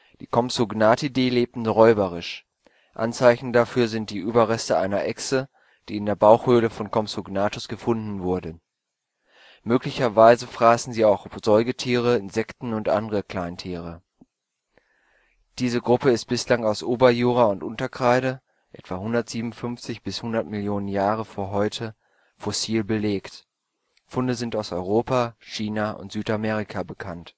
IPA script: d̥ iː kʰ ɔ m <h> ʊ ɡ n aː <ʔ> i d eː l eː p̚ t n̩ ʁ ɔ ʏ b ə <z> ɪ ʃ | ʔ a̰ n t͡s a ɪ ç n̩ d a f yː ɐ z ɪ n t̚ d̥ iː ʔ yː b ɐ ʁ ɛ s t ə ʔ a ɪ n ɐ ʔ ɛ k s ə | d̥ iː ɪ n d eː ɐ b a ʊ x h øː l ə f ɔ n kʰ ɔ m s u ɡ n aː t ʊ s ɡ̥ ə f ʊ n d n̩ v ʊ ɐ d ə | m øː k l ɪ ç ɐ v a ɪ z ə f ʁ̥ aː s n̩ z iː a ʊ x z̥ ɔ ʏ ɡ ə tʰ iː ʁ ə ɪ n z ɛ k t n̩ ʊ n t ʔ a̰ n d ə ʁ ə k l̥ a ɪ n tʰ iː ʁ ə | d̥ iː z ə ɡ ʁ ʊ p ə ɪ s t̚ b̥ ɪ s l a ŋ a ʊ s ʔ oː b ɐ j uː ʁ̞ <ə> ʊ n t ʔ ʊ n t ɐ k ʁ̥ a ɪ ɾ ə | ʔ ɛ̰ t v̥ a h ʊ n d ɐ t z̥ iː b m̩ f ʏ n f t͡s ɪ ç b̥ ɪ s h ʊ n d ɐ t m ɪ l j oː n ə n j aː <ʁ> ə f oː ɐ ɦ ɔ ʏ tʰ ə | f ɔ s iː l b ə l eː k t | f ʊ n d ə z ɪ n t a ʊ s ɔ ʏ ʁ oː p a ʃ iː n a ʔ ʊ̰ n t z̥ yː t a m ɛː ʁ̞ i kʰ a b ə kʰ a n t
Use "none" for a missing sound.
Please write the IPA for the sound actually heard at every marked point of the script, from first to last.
s, t, ʁ, a, ʁ

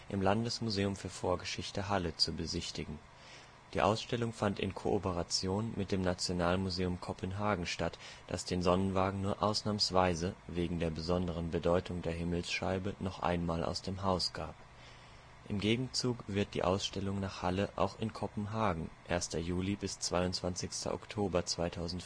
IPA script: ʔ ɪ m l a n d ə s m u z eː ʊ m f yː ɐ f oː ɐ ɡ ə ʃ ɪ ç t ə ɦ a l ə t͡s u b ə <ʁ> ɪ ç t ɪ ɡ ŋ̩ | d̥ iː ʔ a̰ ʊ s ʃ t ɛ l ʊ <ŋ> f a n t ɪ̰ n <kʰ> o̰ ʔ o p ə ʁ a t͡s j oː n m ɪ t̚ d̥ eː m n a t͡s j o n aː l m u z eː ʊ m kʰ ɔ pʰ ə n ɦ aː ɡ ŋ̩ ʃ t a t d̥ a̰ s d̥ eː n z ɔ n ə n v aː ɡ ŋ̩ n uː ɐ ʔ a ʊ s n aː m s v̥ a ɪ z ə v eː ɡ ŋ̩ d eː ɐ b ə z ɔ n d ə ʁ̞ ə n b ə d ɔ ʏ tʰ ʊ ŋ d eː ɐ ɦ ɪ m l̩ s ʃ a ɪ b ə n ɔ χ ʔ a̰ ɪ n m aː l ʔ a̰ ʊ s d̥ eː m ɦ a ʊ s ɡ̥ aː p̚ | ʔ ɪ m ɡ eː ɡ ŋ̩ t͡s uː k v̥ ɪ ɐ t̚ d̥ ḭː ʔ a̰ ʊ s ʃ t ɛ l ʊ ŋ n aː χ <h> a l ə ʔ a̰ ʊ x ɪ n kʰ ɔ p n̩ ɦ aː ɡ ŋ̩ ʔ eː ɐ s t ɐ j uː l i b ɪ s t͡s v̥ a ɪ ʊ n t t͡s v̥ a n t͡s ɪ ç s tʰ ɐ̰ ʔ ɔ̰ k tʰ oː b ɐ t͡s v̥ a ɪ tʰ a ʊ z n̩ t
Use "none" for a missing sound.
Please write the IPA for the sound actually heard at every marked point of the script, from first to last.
z, ŋ, kʰ, h

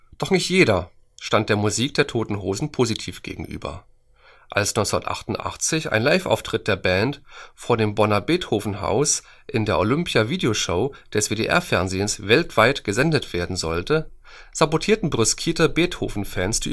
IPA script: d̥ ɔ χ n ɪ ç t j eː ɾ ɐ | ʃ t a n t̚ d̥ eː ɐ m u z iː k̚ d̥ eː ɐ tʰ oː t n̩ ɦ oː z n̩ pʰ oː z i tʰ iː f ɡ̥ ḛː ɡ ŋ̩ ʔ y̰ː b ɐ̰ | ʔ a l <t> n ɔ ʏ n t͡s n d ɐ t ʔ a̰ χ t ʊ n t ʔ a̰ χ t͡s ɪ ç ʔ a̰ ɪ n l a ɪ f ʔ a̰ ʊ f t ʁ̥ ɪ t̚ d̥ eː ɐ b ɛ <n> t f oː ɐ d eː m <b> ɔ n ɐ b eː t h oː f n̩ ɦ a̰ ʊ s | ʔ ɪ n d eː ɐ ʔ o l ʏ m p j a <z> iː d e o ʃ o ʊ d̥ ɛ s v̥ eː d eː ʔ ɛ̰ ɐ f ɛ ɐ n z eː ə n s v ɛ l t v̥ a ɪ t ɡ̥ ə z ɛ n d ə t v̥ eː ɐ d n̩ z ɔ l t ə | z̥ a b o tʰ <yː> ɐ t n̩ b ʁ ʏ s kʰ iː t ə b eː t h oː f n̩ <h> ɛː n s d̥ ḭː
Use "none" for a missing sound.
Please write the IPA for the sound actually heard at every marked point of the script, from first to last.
s, n, b, v, iː, f

